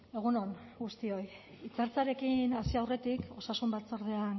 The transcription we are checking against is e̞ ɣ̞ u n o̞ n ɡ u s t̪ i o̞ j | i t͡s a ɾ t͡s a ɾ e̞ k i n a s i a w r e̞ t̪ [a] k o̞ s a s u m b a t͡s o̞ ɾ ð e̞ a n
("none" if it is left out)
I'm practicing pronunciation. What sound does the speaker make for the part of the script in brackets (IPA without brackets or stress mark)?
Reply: i